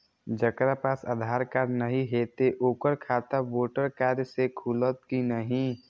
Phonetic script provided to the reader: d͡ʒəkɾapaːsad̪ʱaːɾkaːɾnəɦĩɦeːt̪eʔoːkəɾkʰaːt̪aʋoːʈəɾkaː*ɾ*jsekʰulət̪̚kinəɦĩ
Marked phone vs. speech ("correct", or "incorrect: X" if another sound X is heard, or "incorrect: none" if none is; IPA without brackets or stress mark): correct